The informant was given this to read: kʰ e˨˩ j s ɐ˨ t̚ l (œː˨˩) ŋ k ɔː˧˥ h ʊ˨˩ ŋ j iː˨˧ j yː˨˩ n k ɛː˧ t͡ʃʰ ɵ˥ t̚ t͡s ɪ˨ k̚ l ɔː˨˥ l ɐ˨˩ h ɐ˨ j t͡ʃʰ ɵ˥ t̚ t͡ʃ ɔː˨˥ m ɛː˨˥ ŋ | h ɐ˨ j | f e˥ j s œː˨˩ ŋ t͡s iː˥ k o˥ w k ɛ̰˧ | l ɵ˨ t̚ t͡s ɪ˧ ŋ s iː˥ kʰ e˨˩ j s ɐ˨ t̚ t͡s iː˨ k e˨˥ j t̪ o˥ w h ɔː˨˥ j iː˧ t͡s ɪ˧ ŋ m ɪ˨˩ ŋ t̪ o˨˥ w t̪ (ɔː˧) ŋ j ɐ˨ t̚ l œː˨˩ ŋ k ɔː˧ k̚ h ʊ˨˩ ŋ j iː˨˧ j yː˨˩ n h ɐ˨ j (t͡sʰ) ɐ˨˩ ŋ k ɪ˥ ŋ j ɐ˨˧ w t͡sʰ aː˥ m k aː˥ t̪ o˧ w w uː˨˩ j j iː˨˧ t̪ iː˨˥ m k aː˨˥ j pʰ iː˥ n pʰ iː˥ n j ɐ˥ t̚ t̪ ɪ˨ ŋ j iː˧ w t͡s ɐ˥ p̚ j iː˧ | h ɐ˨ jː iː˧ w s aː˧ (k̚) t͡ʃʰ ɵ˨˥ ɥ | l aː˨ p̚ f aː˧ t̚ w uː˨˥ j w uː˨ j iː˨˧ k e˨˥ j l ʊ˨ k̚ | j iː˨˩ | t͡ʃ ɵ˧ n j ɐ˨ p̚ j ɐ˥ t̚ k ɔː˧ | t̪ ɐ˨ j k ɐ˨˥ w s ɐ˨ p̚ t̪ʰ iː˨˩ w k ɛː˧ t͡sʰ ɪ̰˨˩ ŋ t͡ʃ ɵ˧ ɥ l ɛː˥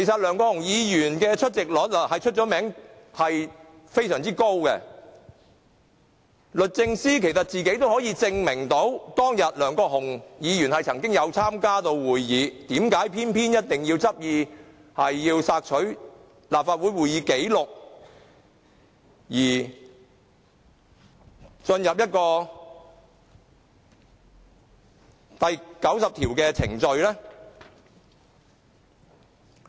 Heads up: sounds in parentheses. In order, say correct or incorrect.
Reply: correct, incorrect: ɔː˥, correct, correct

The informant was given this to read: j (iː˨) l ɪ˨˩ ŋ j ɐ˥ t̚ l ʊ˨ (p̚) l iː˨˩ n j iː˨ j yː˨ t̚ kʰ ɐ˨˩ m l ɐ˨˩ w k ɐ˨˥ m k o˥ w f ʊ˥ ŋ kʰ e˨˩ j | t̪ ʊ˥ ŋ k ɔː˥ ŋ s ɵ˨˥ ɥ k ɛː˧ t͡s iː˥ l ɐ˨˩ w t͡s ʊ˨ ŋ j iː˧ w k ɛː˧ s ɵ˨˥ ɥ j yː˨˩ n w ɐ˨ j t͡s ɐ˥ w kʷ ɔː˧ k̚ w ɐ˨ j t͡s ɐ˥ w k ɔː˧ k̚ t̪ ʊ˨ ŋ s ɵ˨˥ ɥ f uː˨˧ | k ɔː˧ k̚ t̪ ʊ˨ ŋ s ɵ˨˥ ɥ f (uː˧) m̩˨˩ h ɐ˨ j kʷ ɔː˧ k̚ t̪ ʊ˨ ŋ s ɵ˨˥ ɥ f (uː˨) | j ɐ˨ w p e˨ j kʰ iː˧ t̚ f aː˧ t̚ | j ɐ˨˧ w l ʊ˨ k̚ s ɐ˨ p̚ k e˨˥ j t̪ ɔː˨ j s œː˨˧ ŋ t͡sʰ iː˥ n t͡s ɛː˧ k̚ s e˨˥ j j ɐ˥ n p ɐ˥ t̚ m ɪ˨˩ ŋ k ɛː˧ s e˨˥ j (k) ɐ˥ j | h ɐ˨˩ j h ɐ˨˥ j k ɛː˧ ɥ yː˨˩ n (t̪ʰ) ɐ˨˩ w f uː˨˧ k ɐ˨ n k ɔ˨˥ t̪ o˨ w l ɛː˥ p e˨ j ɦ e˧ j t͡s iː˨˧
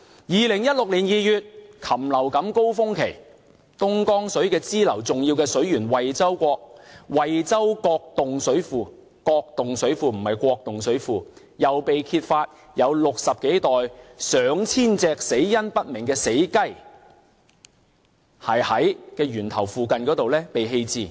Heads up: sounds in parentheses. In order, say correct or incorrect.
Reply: correct, incorrect: k̚, correct, correct, correct, correct

